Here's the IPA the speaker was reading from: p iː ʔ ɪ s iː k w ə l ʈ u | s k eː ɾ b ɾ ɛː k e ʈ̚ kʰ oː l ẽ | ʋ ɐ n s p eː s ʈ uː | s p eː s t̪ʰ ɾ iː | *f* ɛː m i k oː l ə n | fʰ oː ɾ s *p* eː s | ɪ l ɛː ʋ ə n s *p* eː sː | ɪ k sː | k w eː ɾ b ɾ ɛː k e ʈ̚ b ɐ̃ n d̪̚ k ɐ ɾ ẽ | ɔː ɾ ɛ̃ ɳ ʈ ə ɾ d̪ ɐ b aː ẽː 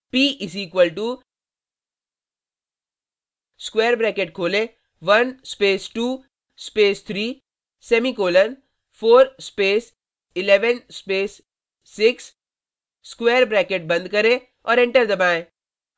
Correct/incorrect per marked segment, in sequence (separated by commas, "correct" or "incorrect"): incorrect, correct, correct